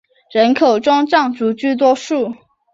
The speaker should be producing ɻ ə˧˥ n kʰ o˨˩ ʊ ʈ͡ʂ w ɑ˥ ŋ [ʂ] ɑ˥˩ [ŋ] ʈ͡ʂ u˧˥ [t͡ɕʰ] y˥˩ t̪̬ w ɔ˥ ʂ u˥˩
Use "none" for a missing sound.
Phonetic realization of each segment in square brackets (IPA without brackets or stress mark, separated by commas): ʈ͡ʂ, ŋ, t͡ɕ